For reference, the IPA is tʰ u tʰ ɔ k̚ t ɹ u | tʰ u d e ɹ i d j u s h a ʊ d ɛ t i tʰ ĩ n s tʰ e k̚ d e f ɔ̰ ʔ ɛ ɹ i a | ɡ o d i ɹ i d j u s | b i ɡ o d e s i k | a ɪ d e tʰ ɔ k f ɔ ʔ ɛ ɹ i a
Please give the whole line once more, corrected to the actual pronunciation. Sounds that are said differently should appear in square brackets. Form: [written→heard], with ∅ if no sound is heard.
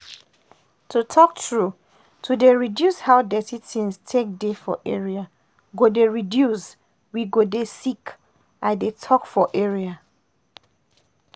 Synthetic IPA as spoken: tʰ u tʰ ɔ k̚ t ɹ u | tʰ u d e ɹ i d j u s h a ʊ d ɛ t i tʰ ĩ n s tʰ e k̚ d e f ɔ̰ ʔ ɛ ɹ i a | ɡ o d [i→e] ɹ i d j u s | [b→w] i ɡ o d e s i k | a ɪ d e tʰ ɔ k f ɔ ʔ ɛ ɹ i a